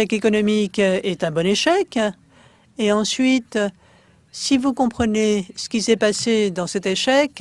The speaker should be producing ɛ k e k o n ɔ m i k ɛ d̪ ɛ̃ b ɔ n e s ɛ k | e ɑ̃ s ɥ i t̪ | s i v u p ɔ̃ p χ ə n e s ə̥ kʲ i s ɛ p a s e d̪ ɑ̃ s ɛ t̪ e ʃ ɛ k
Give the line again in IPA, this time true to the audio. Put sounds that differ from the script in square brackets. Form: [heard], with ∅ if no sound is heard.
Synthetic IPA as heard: ɛ k e k [ɔ] n ɔ m i k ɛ [t̪] ɛ̃ b ɔ n e [ʃ] ɛ k | e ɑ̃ s ɥ i t̪ | s i v u [k] ɔ̃ p χ ə n e s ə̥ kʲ i s ɛ p a s e d̪ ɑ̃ s ɛ t̪ e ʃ ɛ k